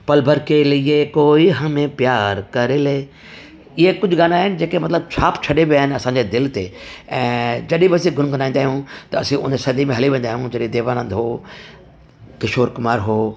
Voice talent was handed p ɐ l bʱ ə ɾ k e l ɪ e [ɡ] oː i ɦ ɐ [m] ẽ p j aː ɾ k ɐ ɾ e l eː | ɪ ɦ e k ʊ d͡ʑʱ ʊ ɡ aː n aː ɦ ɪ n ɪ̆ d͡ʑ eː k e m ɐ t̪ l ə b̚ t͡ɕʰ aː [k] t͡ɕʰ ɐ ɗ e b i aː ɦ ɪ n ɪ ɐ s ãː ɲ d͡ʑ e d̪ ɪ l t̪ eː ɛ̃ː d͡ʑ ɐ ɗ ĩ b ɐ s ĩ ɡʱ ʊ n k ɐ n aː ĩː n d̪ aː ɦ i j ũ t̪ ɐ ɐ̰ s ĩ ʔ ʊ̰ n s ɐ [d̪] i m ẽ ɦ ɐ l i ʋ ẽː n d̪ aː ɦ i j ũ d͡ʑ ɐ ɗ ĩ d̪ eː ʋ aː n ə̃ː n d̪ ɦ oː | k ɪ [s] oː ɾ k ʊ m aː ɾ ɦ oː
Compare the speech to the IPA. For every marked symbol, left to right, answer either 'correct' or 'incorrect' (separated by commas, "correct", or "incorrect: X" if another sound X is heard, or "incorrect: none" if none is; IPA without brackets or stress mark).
incorrect: k, correct, incorrect: p, correct, incorrect: ʃ